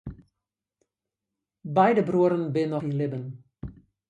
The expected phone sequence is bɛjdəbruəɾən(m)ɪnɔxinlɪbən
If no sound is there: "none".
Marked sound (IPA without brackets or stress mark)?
b